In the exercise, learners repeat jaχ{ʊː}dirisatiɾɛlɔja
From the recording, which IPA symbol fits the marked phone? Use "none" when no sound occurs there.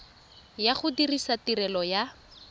ʊ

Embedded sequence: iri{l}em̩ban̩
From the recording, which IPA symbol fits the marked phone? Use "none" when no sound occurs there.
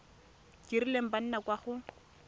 l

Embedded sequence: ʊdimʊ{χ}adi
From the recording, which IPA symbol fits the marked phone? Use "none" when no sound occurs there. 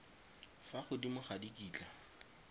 χ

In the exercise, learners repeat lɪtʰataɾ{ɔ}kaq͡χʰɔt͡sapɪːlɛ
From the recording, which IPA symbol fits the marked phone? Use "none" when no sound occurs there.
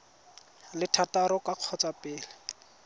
ɔ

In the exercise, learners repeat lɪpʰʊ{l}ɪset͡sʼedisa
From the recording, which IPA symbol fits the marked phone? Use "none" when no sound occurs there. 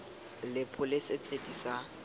l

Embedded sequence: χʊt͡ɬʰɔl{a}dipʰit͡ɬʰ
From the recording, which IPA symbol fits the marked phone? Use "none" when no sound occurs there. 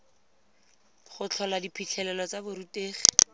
a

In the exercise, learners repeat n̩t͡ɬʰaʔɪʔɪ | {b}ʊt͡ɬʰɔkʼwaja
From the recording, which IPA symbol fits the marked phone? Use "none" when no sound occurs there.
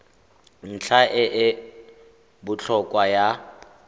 b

